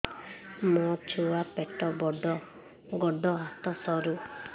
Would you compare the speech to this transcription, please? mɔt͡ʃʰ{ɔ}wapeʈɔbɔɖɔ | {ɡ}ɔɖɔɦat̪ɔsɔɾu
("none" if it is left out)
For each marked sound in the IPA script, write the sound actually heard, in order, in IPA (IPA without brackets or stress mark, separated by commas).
u, ɡ